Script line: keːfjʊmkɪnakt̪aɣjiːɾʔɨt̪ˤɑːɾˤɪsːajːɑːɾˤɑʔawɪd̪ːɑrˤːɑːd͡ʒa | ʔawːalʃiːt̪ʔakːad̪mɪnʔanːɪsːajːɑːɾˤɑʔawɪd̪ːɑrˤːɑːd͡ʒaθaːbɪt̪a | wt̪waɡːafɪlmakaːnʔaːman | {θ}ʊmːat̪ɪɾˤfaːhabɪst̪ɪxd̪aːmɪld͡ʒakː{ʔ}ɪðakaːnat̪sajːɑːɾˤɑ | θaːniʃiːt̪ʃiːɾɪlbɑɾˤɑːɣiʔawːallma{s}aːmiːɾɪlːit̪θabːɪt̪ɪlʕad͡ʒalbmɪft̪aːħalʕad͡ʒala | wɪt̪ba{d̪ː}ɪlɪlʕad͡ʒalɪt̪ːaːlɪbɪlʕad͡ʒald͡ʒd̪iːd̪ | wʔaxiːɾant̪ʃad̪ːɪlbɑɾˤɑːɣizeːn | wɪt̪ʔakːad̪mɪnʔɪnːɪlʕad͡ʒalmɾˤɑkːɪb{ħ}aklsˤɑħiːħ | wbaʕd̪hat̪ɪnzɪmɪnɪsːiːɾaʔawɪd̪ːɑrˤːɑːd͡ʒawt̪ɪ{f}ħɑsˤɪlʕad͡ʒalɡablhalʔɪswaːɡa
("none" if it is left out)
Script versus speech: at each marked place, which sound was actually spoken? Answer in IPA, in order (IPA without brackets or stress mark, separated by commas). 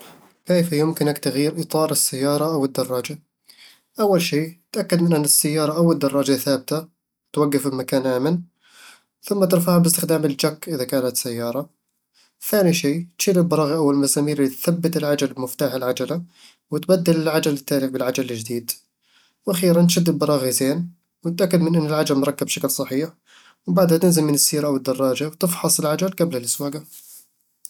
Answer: θ, ʔ, s, d̪ː, ʃ, f